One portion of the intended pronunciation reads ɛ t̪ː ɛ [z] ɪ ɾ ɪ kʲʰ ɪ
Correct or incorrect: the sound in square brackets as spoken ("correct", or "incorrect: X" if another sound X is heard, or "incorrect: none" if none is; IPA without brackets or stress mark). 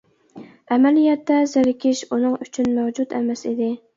correct